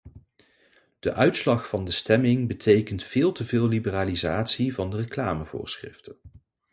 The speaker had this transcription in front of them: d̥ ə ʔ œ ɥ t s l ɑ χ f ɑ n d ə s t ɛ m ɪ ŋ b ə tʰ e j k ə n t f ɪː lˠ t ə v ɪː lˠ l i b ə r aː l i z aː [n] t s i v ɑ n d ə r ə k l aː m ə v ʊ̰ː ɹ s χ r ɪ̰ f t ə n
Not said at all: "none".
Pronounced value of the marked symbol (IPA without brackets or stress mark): none